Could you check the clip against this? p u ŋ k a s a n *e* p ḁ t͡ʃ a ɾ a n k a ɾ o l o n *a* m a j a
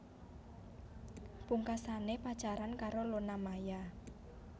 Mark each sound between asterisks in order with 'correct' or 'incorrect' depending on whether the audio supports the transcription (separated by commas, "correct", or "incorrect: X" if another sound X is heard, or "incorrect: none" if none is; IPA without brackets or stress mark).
correct, correct